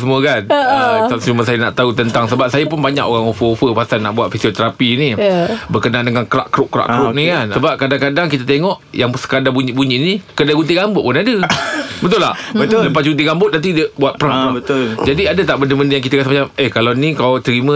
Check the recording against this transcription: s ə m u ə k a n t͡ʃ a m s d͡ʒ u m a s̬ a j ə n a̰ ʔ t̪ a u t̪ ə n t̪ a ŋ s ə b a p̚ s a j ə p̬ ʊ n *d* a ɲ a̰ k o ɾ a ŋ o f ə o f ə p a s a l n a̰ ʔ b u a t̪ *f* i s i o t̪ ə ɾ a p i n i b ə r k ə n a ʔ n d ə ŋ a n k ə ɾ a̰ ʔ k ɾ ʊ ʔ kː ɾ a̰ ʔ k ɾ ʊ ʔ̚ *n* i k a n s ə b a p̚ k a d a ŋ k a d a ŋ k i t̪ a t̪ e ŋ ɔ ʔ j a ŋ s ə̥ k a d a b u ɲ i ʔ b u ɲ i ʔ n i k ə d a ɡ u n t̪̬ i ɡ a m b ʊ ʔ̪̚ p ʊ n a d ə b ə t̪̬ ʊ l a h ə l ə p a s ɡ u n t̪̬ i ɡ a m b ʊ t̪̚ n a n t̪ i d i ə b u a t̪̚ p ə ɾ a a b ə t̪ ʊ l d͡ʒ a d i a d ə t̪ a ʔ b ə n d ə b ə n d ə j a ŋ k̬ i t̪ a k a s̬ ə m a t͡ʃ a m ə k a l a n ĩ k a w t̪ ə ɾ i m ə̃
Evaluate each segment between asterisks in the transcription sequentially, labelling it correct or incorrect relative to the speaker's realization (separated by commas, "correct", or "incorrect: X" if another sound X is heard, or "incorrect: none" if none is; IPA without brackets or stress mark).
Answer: incorrect: b, correct, correct